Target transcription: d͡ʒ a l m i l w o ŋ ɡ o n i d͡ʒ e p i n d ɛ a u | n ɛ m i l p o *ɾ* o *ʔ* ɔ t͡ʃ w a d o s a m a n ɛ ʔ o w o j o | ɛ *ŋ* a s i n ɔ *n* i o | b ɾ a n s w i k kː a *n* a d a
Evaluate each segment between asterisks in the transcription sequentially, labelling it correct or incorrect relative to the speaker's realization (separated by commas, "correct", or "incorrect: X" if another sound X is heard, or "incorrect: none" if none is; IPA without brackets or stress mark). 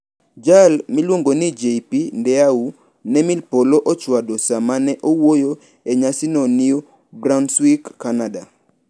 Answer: incorrect: l, correct, incorrect: ɲ, correct, correct